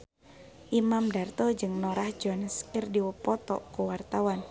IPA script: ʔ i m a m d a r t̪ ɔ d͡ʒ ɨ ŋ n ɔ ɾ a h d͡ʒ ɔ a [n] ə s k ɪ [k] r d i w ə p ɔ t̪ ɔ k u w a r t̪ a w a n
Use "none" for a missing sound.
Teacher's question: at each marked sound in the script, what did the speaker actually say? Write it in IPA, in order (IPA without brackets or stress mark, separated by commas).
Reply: n, none